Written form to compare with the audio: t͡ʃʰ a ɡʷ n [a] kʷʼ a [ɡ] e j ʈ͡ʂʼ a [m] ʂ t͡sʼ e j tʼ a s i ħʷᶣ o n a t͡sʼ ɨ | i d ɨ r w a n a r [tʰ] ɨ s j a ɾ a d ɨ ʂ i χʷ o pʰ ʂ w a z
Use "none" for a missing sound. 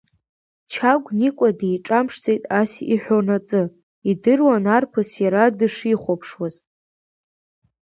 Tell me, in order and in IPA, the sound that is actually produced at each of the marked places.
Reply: i, d, m, pʰ

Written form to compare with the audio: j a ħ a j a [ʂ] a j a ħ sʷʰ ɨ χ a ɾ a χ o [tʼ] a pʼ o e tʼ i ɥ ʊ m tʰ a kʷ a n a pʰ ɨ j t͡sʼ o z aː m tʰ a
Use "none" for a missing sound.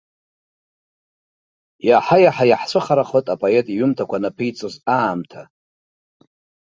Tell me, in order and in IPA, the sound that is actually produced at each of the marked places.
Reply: ħ, tʼ

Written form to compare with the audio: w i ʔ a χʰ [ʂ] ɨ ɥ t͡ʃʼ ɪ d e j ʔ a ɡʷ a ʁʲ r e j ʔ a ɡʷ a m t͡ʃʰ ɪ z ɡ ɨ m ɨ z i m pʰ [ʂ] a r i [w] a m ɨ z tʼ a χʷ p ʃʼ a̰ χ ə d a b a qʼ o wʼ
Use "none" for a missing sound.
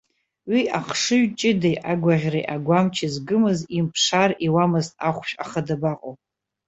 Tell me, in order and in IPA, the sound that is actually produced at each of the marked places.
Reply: ʂ, ʂ, w

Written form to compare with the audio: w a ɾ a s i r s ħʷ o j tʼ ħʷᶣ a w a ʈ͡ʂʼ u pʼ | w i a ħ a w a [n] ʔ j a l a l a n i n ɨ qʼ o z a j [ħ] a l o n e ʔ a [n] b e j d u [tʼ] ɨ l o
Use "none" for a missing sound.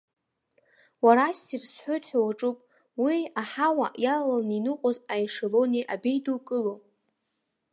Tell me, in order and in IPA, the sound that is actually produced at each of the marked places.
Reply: none, ʂ, none, kʼ

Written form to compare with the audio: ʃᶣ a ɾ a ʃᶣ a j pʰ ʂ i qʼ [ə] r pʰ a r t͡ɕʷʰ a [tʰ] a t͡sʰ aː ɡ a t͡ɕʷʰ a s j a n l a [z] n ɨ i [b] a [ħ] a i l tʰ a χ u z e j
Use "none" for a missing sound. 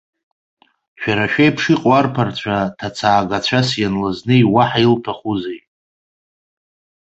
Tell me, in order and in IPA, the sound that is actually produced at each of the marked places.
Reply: a, tʰ, z, w, ħ

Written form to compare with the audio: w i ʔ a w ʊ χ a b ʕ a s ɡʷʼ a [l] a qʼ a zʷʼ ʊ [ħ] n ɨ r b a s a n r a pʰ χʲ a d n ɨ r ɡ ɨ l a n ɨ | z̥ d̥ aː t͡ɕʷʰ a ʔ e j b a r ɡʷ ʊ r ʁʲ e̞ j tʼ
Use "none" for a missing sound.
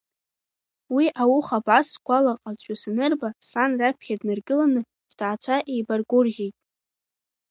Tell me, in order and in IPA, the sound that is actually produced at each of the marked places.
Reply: l, s

